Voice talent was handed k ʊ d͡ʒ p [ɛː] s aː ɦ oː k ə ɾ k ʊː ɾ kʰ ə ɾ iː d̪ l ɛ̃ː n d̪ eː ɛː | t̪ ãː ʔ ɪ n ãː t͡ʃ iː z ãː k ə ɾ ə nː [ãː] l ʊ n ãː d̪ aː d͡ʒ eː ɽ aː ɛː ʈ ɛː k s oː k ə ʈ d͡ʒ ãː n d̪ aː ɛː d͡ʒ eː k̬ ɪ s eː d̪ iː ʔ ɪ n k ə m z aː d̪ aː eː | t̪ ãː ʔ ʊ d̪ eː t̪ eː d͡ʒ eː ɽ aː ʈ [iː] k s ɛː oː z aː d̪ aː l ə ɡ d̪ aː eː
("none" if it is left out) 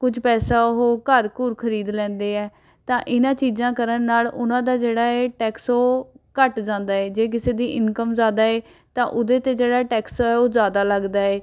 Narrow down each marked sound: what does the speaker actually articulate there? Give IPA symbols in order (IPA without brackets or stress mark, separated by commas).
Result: ɛː, aː, ɛː